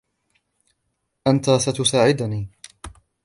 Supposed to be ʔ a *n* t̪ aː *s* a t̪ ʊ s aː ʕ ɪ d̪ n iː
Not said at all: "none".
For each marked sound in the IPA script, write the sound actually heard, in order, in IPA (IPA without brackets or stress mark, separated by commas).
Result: n, s